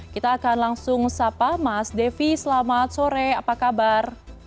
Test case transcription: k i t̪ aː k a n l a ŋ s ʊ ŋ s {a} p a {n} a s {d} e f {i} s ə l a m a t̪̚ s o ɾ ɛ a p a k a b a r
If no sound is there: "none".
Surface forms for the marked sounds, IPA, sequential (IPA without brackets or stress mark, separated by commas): a, m, d, i